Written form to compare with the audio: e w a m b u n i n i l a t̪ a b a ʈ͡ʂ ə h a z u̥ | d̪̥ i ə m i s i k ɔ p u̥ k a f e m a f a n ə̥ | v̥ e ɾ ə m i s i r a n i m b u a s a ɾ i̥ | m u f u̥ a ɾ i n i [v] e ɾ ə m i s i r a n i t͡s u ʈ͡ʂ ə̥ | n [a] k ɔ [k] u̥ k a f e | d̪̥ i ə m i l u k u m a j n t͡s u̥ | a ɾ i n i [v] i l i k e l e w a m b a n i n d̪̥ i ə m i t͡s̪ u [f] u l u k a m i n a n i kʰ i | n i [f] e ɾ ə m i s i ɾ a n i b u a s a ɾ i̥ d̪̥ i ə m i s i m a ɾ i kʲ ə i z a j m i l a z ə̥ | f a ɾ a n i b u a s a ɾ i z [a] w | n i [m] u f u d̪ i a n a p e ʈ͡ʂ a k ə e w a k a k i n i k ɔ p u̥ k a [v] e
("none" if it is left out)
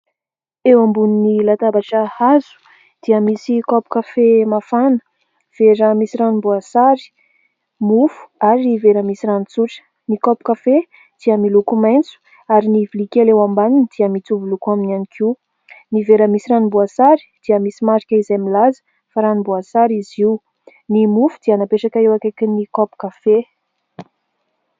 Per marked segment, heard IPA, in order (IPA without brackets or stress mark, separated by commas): v, i, p, v, v, v, i, m, f